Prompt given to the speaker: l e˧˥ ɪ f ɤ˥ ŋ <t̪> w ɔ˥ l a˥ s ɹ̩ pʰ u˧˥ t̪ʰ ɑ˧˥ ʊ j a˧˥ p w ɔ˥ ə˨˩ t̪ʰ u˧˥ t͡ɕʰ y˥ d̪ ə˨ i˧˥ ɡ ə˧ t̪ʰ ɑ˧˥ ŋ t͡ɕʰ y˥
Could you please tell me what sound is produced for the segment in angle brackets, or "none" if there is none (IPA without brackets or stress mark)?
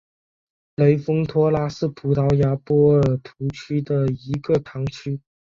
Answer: t̪ʰ